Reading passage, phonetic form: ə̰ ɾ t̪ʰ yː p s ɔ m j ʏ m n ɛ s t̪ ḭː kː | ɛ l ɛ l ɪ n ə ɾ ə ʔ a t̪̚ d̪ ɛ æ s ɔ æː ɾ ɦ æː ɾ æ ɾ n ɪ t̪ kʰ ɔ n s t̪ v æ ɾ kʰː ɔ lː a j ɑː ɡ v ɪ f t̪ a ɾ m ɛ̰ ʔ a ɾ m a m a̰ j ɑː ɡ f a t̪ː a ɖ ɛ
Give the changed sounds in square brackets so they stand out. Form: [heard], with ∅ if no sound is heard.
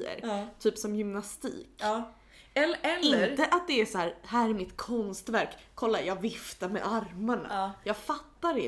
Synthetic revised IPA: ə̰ ɾ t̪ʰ yː p s ɔ m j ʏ m n [a] s t̪ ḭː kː | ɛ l ɛ l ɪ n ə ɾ ə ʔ a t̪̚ d̪ ɛ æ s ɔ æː ɾ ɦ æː ɾ æ ɾ [m] ɪ t̪ kʰ ɔ n s t̪ v æ ɾ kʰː ɔ lː a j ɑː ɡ v ɪ f t̪ a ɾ m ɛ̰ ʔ a ɾ m a [ɳ] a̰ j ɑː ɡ f a t̪ː a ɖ ɛ